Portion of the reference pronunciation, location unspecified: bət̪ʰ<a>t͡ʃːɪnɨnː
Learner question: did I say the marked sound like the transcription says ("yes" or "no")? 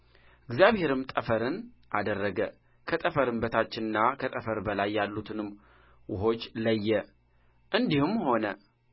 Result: yes